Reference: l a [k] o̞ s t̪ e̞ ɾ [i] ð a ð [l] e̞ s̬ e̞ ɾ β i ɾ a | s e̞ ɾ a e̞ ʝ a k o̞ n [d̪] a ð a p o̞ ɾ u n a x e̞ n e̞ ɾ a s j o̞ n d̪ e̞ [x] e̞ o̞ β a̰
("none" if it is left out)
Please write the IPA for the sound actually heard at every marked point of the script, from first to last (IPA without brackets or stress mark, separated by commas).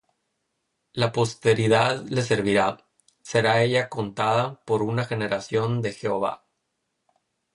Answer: p, i, l, t̪, x